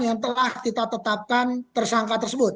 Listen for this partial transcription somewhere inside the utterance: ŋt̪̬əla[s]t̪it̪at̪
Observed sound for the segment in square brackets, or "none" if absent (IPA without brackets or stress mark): h